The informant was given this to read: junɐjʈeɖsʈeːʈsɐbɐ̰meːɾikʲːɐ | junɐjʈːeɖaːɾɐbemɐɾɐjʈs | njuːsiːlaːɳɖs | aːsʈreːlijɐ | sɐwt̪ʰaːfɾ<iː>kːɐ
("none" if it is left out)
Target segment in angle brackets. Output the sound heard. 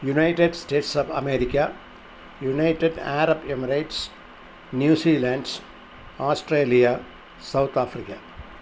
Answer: i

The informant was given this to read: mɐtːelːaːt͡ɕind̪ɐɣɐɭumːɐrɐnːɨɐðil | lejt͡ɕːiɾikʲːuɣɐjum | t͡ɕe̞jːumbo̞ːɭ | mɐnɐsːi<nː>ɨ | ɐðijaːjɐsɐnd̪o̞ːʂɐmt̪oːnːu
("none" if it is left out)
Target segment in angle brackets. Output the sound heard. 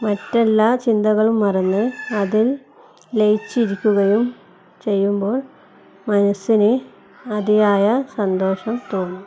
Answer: n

